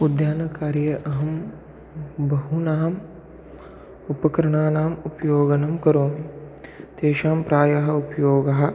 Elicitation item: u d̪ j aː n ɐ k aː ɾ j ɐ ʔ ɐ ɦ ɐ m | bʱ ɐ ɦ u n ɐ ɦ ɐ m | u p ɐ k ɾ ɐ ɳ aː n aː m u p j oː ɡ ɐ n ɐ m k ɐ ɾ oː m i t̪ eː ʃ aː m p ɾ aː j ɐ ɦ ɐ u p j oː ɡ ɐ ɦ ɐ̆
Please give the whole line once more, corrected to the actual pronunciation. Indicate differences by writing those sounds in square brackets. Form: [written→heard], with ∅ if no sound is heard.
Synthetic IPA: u d̪ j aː n ɐ k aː ɾ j ɐ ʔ ɐ ɦ ɐ m | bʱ ɐ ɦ u n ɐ ɦ ɐ m | u p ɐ k ɾ ɐ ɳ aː n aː m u p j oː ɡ ɐ n ɐ m k ɐ ɾ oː m i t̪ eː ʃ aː m p ɾ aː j ɐ ɦ ɐ u p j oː ɡ ɐ ɦ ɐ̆